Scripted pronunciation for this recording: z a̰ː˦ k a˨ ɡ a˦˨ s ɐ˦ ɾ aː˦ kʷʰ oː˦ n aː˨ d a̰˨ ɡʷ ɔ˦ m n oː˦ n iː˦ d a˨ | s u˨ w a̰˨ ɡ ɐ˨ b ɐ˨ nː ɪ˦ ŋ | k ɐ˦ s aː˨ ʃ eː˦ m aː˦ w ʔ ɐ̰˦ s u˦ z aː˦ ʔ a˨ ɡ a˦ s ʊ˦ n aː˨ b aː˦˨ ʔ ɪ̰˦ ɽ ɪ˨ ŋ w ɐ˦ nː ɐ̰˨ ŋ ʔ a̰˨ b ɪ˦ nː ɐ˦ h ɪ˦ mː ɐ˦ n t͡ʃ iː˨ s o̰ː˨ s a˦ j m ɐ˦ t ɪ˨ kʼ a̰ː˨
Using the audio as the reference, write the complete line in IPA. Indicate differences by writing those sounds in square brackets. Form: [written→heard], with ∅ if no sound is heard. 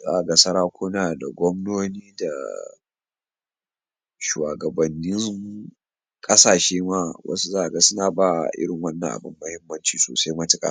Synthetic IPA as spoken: z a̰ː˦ [k→ʔ] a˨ ɡ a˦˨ s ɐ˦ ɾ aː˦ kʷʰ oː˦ n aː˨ d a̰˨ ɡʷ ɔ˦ m n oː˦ n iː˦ d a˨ | [s→ʃ] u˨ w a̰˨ ɡ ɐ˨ b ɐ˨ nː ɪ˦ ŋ | [k→kʼ] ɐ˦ s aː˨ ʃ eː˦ m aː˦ w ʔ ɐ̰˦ s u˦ z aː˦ ʔ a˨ ɡ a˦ s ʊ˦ n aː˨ b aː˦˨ ʔ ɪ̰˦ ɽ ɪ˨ ŋ w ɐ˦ nː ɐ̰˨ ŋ ʔ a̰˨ b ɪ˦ [nː→mː] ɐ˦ h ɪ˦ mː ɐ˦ n t͡ʃ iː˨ s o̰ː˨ s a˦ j m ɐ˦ t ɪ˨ kʼ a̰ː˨